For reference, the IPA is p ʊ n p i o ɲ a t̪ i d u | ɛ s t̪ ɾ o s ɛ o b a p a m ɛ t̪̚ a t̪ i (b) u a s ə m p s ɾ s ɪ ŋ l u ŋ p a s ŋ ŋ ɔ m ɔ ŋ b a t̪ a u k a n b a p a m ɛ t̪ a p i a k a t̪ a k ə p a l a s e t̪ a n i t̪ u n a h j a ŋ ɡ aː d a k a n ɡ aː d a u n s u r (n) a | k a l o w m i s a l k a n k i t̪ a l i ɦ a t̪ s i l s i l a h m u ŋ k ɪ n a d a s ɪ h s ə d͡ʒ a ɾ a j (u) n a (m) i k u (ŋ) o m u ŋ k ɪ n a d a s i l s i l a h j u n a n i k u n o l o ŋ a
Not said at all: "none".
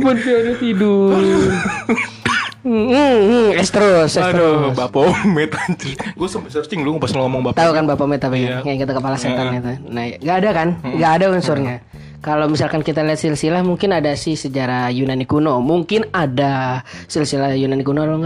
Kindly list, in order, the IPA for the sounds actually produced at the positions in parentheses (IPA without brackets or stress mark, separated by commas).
ɡ, ɲ, u, n, n